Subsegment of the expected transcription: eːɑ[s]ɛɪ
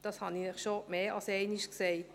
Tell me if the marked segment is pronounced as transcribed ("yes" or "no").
yes